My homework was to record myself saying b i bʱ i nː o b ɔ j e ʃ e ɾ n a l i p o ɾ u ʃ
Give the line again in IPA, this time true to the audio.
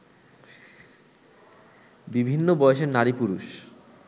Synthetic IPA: b i bʱ i nː o b ɔ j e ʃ e ɾ n a ɾ i p u ɾ u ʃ